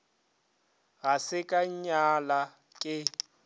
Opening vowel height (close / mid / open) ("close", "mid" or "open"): open